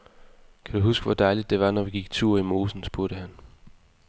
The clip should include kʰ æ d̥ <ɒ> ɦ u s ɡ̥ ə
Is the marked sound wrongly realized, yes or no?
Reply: yes